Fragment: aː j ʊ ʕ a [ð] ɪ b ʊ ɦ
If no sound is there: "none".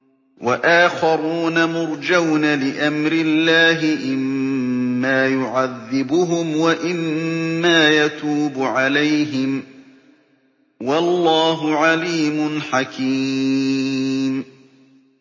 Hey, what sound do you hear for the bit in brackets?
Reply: ðː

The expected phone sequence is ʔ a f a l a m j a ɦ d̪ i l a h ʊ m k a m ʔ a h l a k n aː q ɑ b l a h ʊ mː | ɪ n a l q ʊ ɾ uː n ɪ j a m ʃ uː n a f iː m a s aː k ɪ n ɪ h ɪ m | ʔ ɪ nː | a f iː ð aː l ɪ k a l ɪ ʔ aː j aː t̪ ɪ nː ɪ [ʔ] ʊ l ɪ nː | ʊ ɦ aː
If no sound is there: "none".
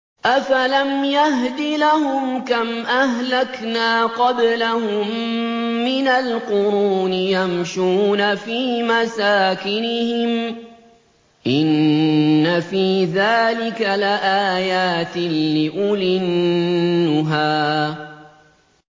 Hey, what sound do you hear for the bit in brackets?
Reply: ʔ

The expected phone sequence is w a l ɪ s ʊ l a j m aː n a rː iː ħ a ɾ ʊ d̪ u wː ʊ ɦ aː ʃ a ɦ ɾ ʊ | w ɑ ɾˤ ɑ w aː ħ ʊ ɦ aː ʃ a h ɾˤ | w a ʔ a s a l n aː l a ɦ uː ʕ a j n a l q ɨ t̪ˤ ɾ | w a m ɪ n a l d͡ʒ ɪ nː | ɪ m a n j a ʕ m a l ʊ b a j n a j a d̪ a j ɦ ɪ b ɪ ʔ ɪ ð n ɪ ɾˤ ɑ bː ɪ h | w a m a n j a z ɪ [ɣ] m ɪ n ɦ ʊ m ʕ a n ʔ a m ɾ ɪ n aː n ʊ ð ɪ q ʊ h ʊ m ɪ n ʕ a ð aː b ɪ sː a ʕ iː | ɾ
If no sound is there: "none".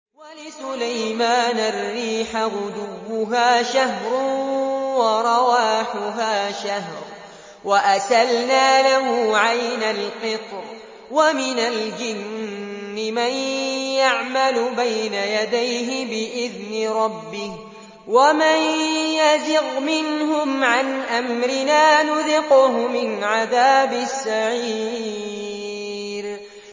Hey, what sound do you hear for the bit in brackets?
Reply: ɣ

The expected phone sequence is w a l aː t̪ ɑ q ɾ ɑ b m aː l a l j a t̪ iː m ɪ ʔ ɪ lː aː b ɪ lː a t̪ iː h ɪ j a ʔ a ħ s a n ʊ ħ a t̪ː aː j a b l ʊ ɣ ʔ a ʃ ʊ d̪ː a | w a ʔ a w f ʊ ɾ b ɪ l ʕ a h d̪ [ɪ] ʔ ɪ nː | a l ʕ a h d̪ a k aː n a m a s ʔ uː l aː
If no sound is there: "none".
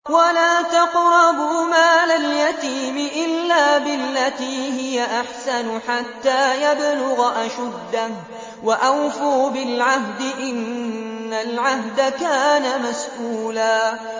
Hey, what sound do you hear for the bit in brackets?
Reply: ɪ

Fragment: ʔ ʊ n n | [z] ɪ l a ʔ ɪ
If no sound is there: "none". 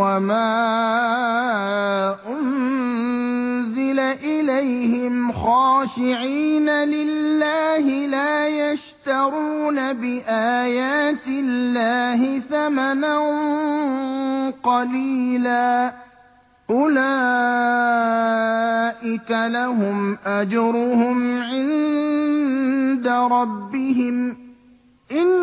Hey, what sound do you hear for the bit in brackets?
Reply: z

